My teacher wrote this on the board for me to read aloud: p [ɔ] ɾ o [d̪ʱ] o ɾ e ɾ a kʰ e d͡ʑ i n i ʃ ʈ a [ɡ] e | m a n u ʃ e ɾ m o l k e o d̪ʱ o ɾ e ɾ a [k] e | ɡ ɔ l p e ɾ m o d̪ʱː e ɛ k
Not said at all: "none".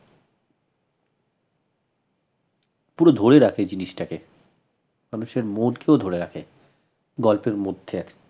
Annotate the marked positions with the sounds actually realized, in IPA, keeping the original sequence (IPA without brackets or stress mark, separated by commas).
u, d̪ʱ, k, kʰ